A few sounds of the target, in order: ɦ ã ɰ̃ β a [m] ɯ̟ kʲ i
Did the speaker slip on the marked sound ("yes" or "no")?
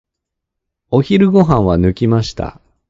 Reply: yes